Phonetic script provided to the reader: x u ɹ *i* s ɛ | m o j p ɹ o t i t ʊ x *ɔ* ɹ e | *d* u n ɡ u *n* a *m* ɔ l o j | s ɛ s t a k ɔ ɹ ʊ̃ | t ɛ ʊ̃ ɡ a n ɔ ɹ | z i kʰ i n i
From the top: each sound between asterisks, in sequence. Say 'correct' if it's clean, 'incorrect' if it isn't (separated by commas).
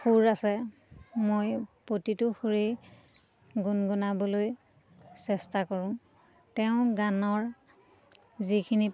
incorrect, incorrect, incorrect, correct, incorrect